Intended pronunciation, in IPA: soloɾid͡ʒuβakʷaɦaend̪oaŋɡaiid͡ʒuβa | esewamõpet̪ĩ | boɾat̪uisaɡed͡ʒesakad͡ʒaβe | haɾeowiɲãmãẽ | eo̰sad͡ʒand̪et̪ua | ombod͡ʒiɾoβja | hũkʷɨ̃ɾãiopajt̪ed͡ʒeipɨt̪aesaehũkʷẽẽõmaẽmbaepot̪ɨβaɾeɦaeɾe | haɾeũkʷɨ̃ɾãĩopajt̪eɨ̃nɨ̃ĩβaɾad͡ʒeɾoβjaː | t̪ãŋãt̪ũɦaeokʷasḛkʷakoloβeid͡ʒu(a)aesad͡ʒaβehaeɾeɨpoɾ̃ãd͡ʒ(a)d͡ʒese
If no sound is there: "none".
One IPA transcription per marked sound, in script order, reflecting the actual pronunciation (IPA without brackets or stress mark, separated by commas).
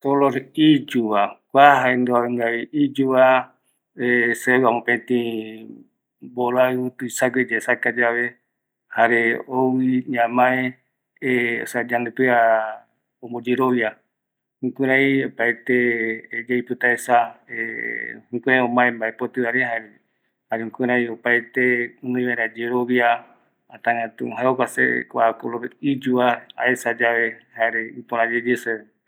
a, e